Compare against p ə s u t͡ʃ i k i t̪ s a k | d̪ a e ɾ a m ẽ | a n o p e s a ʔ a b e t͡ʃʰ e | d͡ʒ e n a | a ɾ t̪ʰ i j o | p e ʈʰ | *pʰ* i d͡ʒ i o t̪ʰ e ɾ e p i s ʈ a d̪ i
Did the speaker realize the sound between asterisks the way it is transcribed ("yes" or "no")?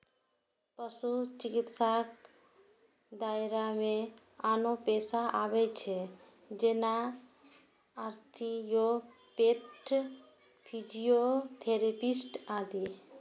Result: yes